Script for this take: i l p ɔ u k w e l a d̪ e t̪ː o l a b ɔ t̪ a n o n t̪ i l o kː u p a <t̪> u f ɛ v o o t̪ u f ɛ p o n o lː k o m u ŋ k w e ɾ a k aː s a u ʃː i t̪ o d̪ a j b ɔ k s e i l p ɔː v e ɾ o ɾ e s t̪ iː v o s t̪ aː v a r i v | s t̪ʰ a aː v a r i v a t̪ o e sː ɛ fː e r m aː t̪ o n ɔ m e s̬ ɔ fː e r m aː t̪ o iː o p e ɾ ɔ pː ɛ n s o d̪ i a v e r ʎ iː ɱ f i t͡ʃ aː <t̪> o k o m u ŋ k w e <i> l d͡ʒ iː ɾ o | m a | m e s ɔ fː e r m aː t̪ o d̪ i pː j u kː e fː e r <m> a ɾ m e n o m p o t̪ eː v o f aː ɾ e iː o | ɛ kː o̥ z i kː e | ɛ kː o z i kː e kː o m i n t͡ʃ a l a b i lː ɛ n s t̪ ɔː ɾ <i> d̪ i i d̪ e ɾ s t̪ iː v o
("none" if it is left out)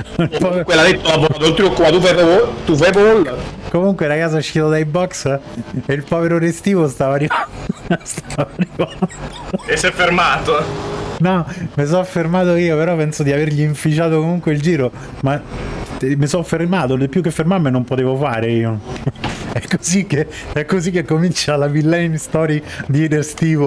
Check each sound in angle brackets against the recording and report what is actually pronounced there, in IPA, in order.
t̪, t̪, i, m, i

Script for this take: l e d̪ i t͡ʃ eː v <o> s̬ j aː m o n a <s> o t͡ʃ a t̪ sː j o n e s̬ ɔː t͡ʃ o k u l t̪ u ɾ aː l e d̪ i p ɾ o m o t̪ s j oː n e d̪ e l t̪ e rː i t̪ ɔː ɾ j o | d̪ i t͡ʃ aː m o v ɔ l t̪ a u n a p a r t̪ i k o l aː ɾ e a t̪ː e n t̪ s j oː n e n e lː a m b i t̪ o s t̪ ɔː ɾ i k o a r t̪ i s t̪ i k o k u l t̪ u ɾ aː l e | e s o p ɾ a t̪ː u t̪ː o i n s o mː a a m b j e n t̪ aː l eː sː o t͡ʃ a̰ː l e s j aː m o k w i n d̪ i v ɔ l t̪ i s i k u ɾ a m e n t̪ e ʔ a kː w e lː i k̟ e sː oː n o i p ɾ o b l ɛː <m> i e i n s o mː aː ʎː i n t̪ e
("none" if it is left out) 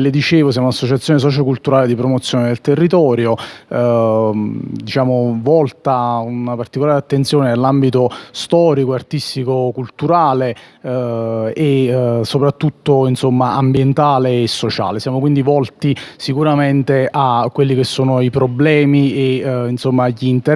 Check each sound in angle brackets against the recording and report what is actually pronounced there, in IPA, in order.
o, sː, m

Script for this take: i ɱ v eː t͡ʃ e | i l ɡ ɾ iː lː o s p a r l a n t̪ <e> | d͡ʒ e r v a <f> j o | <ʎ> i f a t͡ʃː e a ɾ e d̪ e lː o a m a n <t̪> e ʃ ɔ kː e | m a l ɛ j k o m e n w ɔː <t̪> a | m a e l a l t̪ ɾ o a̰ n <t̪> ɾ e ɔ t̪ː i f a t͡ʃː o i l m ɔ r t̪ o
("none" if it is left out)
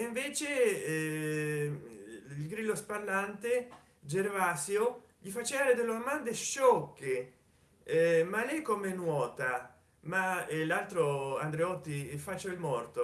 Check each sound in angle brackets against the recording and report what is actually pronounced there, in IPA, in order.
e, s, ʎ, d̪, t̪, d̪

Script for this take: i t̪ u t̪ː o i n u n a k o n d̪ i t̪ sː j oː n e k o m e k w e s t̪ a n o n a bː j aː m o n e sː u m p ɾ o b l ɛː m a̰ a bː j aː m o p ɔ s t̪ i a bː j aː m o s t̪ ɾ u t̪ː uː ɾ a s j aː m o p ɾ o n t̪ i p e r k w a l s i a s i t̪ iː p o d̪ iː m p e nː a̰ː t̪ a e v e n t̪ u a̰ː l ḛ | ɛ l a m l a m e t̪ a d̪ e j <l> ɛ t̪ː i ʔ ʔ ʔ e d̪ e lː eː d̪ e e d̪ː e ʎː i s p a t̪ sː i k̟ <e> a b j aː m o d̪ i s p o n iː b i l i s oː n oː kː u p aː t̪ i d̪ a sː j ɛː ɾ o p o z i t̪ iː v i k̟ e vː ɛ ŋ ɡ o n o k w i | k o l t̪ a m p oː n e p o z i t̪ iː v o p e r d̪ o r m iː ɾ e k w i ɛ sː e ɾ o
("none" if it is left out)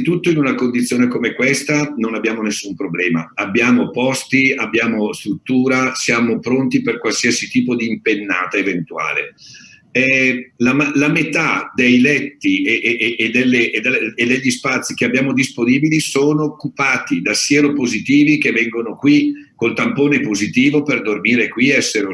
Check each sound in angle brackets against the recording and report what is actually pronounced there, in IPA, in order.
l, e

